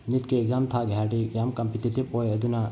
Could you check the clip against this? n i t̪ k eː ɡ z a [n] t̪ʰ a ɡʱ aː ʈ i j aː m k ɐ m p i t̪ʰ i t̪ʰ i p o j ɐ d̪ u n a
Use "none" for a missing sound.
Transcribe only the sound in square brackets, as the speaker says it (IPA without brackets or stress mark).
m